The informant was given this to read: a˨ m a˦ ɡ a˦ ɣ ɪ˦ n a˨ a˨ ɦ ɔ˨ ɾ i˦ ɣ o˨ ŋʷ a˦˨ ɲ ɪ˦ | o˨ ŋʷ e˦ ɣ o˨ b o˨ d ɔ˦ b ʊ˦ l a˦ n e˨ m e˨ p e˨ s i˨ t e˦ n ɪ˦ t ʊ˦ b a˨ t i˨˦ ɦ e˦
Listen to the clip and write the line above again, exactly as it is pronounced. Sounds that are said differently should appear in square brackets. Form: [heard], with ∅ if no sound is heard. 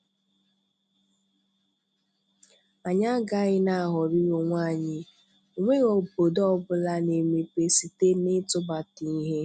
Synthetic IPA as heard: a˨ [ɲ] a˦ ɡ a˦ ɣ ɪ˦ n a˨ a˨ ɦ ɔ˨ ɾ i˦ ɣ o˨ ŋʷ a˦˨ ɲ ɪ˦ | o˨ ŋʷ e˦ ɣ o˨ b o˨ d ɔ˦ b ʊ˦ l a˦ n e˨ m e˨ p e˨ s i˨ t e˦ n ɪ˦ t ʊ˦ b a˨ t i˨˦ ɦ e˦